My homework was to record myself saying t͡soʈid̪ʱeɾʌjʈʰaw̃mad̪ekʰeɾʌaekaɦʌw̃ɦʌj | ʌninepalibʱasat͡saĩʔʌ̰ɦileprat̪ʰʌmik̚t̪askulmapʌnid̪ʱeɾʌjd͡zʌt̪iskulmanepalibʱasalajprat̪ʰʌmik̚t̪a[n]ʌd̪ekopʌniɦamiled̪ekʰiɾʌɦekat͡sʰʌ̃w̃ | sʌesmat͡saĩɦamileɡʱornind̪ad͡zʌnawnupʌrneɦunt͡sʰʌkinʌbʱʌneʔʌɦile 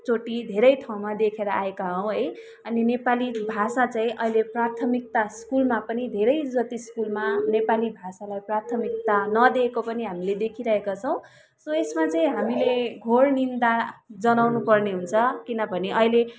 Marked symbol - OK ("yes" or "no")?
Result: yes